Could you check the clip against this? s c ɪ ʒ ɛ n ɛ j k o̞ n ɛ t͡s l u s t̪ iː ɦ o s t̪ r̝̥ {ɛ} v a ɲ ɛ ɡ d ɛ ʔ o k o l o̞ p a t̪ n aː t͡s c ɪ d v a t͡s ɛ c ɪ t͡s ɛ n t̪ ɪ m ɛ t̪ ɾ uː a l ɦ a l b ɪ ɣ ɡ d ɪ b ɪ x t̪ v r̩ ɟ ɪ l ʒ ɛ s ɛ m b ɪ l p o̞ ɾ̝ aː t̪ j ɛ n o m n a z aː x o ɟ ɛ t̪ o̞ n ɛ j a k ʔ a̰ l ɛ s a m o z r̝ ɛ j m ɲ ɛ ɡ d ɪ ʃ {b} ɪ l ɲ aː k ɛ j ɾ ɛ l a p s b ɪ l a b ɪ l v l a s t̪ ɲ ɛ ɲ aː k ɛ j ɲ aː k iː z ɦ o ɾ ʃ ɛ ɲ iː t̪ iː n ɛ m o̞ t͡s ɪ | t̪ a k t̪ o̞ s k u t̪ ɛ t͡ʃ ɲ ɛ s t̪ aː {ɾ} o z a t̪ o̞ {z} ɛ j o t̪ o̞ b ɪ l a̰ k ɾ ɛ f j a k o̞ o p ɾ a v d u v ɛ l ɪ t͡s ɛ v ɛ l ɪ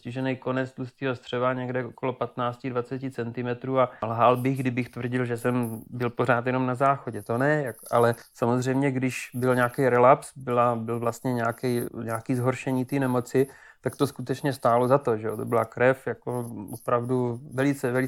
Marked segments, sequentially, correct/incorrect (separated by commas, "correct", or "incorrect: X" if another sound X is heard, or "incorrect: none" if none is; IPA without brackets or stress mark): correct, correct, incorrect: l, incorrect: ʒ